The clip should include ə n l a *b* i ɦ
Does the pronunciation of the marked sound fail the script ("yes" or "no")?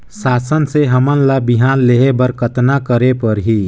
no